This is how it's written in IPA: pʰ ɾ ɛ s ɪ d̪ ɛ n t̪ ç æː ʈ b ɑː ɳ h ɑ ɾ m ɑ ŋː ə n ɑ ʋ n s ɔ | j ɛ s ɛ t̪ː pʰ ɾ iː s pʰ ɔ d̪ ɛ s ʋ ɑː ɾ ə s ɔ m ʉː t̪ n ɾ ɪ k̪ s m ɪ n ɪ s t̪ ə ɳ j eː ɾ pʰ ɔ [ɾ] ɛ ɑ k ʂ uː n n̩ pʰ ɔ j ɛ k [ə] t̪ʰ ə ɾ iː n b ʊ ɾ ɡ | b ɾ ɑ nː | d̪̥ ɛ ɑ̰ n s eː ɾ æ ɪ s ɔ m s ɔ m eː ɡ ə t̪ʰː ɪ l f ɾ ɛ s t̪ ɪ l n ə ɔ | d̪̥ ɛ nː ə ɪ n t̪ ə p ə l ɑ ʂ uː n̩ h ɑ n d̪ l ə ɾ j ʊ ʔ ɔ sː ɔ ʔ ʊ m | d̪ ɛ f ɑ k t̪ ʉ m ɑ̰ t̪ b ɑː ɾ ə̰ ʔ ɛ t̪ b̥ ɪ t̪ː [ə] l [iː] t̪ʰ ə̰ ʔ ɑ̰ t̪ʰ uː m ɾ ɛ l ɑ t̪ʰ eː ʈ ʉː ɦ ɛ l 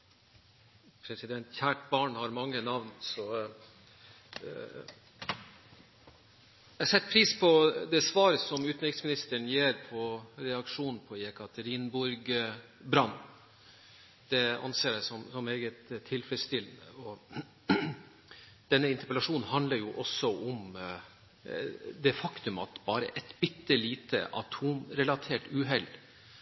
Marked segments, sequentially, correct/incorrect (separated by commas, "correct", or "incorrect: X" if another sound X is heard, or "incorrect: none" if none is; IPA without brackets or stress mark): correct, incorrect: ɑ, correct, correct